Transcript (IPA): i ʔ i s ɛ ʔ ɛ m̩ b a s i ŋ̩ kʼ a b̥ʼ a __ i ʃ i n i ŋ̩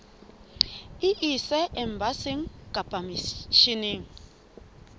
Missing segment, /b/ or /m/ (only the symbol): m